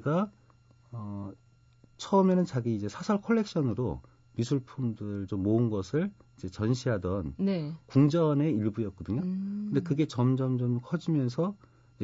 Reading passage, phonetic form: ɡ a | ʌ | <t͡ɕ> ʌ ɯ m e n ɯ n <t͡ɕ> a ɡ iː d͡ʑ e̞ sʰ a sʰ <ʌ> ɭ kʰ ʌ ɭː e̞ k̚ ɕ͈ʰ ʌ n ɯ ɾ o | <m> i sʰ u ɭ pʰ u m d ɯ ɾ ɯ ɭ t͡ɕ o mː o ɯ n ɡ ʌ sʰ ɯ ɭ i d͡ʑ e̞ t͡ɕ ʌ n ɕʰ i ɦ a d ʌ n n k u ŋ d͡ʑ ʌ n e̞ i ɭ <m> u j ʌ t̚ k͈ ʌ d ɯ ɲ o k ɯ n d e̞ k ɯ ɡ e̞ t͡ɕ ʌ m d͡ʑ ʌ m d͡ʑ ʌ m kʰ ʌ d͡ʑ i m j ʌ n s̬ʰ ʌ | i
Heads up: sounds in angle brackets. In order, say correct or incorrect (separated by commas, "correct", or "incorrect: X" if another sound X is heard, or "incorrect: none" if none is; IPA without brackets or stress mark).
incorrect: t͡ɕʰ, correct, correct, correct, incorrect: b